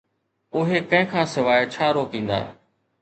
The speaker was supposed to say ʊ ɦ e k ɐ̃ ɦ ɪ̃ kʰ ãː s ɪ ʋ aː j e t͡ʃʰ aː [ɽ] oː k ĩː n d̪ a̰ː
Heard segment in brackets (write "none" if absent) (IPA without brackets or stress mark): ɾ